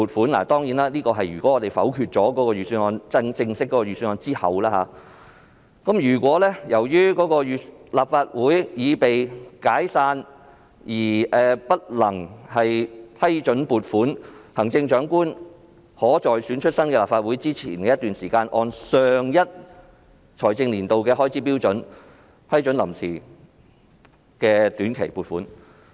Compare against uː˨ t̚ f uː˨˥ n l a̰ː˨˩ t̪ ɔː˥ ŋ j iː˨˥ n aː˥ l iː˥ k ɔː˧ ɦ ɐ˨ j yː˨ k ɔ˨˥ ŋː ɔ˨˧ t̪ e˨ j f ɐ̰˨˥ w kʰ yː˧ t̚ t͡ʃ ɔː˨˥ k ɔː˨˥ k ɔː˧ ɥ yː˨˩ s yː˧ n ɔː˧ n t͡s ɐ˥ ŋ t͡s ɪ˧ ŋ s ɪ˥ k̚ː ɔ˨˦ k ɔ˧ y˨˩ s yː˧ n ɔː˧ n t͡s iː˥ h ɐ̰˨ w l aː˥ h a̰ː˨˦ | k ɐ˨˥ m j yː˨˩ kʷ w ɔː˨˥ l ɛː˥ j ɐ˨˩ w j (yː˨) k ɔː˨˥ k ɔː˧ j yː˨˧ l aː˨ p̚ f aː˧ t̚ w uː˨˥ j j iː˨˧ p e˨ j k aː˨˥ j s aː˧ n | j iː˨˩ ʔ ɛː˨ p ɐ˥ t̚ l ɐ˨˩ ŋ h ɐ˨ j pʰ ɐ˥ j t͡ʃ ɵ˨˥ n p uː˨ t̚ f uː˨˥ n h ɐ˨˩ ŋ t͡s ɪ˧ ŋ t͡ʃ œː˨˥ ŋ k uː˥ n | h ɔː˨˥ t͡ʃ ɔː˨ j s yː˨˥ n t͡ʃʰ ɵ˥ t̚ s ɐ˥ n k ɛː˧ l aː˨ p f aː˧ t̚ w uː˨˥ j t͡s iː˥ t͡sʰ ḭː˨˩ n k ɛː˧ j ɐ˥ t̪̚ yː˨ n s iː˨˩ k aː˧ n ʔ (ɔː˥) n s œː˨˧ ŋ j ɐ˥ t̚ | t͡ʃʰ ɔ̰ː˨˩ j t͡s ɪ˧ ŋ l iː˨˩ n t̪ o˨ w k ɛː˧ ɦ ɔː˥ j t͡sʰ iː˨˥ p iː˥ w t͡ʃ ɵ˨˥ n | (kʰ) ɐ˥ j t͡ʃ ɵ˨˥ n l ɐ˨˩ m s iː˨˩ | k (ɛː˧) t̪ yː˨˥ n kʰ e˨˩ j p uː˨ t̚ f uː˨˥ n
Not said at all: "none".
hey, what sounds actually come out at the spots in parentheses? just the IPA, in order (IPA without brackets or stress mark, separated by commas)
yː˥, ɔː˧, pʰ, ɛː˧